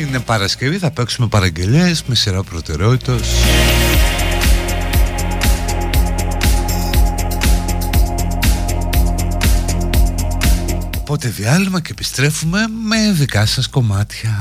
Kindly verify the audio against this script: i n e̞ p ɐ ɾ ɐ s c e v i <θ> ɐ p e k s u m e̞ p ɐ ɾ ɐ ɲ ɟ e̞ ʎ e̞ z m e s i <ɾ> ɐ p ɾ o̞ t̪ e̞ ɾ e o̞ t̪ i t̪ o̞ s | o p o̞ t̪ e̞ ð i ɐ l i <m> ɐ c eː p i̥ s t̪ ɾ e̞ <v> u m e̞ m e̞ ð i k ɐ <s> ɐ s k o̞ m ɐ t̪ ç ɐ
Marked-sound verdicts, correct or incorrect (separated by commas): correct, correct, correct, incorrect, correct